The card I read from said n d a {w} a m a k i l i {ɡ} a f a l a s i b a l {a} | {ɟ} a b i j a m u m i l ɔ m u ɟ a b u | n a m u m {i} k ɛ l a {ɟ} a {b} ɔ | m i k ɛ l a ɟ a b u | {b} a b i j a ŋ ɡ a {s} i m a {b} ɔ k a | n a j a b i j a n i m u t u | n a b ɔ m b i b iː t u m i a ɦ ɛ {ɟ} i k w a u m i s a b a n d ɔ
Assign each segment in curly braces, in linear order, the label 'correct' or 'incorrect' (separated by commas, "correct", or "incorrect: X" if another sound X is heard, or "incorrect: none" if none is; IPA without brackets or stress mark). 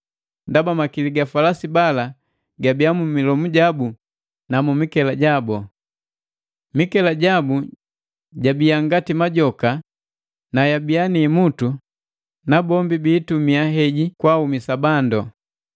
incorrect: b, correct, correct, incorrect: ɡ, correct, correct, correct, incorrect: ɟ, incorrect: t, incorrect: ɟ, correct